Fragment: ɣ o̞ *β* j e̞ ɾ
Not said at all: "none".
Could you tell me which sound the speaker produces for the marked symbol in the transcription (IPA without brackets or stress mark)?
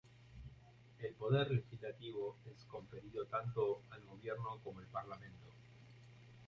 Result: β